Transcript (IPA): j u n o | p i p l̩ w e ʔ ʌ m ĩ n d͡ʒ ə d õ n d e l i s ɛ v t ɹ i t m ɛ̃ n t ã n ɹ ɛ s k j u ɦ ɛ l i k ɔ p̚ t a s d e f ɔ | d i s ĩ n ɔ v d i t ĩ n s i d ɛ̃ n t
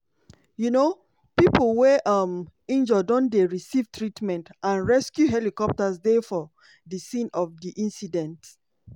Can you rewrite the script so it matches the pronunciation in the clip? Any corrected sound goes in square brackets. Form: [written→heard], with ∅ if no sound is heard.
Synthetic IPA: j u n o | p i p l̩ w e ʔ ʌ m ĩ n d͡ʒ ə d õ n d e [l→ɹ] i s [ɛ→i] v t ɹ i t m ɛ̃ n t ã n ɹ ɛ s k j u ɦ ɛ l i k ɔ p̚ t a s d e f ɔ | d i s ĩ n ɔ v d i [t→ʔ] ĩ n s i d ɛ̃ n t